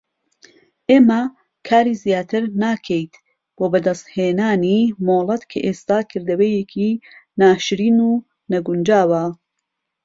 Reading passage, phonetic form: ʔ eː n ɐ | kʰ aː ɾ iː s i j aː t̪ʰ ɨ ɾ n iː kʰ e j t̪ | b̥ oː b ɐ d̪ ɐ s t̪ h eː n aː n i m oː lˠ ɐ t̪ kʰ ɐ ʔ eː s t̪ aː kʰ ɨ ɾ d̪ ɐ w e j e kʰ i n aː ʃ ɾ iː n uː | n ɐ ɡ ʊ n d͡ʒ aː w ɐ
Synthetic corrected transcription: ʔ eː m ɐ | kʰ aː ɾ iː z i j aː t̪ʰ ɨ ɾ n aː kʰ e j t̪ | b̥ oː b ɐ d̪ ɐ s t̪ h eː n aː n i m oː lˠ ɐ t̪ kʰ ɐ ʔ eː s t̪ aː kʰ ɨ ɾ d̪ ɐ w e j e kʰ i n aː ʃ ɾ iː n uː | n ɐ ɡ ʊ n d͡ʒ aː w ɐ